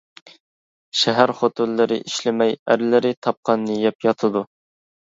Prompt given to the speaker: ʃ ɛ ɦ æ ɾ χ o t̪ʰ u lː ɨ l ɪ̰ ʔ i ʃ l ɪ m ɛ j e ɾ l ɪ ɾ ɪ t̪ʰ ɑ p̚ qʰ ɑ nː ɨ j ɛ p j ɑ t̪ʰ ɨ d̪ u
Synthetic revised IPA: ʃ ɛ ɦ æ ɾ χ o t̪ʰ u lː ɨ ɾ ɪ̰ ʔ i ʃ l ɪ m ɛ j æ ɾ l ɪ ɾ ɪ t̪ʰ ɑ p̚ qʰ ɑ nː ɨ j ɛ p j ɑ t̪ʰ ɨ d̪ u

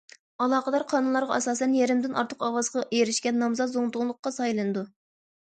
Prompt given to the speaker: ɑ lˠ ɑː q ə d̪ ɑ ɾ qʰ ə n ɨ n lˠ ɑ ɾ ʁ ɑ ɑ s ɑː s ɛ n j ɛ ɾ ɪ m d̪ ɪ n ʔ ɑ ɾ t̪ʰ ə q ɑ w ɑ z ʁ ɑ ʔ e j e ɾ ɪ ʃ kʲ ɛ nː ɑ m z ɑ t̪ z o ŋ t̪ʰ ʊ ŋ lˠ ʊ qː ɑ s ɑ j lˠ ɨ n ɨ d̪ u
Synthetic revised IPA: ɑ lˠ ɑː q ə d̪ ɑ ɾ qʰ ɑ n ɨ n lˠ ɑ ɾ ʁ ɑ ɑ s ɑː s ɛ n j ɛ ɾ ɪ m d̪ ɪ n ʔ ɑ ɾ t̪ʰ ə q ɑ w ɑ z ʁ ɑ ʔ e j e ɾ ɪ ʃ kʲ ɛ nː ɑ m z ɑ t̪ z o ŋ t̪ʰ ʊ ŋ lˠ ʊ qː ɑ s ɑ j lˠ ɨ n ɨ d̪ u

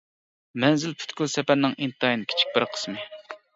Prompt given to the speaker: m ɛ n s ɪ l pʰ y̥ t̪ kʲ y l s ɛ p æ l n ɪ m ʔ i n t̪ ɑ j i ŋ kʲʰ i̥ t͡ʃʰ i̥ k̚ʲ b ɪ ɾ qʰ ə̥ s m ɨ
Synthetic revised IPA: m ɛ n z ɪ l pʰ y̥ t̪ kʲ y l s ɛ p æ ɾ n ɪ ŋ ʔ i n t̪ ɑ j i n kʲʰ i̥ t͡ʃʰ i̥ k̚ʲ b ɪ ɾ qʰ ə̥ s m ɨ

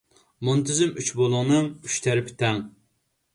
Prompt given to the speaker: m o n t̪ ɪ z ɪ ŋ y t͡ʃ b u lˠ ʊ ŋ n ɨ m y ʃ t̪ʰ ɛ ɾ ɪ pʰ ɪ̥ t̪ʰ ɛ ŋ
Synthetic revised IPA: m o n t̪ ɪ z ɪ m y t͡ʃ b o lˠ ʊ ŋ n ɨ ŋ y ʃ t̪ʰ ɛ ɾ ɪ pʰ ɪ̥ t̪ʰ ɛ ŋ

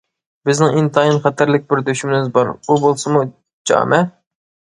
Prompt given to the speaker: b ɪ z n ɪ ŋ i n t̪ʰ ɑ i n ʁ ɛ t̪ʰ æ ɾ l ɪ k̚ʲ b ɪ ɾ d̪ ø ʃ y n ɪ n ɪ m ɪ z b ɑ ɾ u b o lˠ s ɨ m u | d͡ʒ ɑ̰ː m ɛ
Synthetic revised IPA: b ɪ z n ɪ ŋ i n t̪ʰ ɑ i n χ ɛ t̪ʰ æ ɾ l ɪ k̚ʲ b ɪ ɾ d̪ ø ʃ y m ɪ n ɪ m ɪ z b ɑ ɾ u b o lˠ s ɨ m u | d͡ʒ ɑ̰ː m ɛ

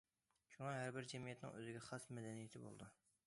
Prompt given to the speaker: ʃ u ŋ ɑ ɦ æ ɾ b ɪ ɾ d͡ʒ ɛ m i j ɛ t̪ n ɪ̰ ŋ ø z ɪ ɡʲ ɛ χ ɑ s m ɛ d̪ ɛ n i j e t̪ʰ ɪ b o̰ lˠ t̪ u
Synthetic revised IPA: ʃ u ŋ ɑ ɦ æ ɾ b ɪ ɾ d͡ʒ ɛ m i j ɛ t̪ n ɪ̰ ŋ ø z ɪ ɡʲ ɛ χ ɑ s m ɛ d̪ ɛ n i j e t̪ʰ ɪ b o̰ lˠ d̪ u

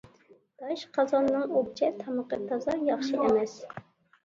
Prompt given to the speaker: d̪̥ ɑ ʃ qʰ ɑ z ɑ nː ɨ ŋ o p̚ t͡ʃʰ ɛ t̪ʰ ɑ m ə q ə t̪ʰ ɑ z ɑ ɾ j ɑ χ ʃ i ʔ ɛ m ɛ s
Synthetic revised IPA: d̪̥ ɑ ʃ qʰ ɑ z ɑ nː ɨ ŋ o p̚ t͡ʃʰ ɛ t̪ʰ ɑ m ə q ə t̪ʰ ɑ z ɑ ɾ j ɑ χ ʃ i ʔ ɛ m ɛ s

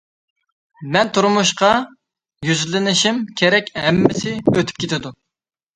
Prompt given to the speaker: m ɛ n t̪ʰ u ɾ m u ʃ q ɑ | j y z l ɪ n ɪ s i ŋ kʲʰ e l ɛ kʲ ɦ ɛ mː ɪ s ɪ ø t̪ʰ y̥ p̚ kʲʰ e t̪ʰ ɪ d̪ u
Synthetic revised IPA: m ɛ n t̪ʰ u ɾ m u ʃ q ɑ | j y z l ɪ n ɪ ʃ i m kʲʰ e ɾ ɛ kʲ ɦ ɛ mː ɪ s ɪ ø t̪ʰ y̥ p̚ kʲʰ e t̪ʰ ɪ d̪ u

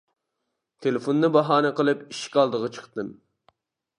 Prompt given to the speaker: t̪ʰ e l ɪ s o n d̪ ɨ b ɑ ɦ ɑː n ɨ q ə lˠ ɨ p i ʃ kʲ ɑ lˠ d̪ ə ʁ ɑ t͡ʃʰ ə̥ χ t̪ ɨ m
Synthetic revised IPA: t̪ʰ e l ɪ f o n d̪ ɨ b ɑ ɦ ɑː n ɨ q ə lˠ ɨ p i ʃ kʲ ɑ lˠ d̪ ə ʁ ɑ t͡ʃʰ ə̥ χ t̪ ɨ m

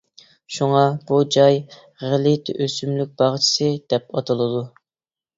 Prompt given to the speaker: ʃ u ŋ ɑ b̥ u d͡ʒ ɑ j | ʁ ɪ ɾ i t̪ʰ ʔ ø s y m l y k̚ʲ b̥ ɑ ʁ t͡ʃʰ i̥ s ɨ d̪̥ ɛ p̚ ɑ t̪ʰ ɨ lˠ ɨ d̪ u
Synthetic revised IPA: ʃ u ŋ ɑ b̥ u d͡ʒ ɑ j | ʁ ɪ l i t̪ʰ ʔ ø s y m l y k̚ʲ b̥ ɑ ʁ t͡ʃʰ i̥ s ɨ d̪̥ ɛ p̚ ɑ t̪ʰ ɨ lˠ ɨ d̪ u

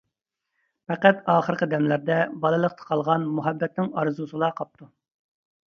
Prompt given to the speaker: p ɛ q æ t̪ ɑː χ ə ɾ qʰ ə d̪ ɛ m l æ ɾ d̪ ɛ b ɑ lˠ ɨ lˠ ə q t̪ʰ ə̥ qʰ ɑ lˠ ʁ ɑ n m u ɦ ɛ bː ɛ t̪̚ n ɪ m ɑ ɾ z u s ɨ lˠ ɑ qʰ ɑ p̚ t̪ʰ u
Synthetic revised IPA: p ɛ q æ t̪ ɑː χ ə ɾ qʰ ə d̪ ɛ m l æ ɾ d̪ ɛ b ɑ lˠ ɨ lˠ ə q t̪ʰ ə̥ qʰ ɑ lˠ ʁ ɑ n m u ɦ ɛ bː ɛ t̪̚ n ɪ ŋ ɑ ɾ z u s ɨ lˠ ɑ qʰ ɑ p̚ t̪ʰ u

